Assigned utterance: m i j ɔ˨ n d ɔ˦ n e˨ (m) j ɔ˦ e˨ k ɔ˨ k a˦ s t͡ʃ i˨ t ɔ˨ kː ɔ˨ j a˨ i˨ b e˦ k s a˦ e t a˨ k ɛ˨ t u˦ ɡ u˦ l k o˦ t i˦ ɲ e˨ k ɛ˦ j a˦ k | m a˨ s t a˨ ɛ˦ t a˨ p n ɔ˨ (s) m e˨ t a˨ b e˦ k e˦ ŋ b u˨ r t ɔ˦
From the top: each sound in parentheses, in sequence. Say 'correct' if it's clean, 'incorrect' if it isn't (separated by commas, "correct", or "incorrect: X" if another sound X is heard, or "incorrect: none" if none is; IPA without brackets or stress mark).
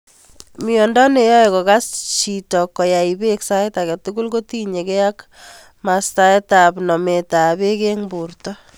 incorrect: none, incorrect: none